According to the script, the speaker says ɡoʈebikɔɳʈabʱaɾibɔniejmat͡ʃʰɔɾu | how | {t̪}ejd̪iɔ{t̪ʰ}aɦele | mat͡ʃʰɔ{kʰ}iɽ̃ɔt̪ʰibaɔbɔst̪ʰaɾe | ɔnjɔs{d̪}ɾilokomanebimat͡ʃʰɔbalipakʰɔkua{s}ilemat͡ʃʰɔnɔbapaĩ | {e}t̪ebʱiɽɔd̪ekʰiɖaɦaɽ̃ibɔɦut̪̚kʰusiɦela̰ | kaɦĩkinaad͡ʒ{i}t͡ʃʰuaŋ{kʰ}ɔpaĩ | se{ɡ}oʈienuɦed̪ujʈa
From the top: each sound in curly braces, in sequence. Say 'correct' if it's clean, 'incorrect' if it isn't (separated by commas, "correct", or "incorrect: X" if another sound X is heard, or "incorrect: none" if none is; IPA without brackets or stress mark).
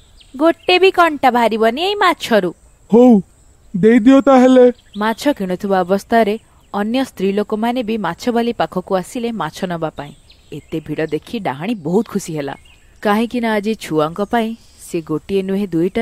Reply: incorrect: d̪, incorrect: t̪, incorrect: k, incorrect: t̪, correct, correct, correct, incorrect: k, correct